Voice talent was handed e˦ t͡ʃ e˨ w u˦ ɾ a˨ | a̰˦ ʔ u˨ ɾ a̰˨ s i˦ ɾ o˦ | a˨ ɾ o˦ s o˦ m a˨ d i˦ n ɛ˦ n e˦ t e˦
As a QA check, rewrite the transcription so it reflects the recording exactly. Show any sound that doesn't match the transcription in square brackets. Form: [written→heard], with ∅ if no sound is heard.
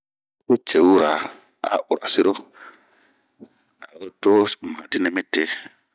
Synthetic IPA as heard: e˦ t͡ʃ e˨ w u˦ ɾ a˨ | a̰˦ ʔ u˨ ɾ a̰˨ s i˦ ɾ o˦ | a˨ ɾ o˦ [s→t] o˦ m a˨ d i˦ n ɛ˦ [n→m] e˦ t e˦